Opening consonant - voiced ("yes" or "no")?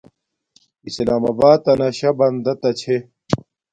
no